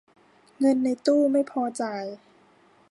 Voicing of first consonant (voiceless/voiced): voiced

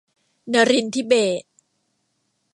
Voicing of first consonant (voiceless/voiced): voiced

